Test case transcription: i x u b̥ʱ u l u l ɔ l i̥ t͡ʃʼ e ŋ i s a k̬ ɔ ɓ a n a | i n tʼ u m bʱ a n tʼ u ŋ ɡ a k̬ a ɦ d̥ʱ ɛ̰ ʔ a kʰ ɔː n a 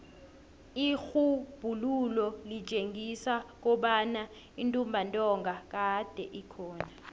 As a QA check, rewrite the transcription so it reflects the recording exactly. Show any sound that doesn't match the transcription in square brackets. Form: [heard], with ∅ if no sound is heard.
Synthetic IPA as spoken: i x u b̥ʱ u l u l ɔ l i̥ t͡ʃʼ e ŋ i s a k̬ ɔ ɓ a n a | i n tʼ u m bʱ a n tʼ [ɔ] ŋ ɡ a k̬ a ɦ d̥ʱ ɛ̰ ʔ [i] kʰ ɔː n a